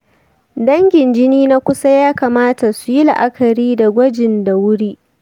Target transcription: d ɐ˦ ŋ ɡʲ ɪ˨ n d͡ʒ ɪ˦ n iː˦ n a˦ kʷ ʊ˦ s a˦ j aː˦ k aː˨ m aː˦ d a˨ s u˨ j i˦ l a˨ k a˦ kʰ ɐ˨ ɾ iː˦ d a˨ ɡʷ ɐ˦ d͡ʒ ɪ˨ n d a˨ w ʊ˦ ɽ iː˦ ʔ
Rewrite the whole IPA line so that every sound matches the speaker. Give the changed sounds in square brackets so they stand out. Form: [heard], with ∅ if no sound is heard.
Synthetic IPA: d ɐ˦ ŋ ɡʲ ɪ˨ n d͡ʒ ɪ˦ n iː˦ n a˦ kʷ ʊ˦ s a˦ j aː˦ k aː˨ m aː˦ [t] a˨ s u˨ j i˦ l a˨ [ʔ] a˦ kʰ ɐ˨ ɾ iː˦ d a˨ ɡʷ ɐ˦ d͡ʒ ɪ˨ n d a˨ w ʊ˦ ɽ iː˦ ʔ